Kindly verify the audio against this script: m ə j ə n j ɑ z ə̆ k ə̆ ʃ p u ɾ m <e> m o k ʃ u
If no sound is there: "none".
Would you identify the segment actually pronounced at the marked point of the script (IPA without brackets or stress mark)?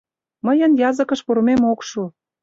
e